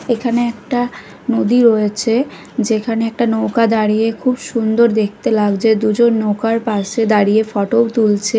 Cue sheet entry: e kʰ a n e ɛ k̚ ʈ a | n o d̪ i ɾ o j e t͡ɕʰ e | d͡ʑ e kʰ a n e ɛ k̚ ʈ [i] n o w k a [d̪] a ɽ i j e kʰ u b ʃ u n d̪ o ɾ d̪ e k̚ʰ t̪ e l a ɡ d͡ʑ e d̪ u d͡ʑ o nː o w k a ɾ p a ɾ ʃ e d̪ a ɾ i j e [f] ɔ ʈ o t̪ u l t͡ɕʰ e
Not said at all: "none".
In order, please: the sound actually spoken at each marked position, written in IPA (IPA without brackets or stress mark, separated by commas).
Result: a, d̪, f